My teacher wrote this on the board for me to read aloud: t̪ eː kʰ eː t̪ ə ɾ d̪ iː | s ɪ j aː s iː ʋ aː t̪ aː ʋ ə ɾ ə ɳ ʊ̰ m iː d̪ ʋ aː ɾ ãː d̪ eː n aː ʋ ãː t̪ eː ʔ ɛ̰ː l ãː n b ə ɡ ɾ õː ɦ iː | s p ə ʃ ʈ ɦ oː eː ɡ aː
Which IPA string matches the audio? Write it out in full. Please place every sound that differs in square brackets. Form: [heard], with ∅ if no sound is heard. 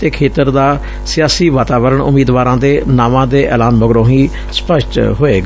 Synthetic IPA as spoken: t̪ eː kʰ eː t̪ ə ɾ d̪ [aː] | s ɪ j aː s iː ʋ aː t̪ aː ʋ ə ɾ ə ɳ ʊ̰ m iː d̪ ʋ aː ɾ ãː d̪ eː n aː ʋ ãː [d̪] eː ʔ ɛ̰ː l [aː] n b ə ɡ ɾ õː ɦ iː | s p ə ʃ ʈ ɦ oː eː ɡ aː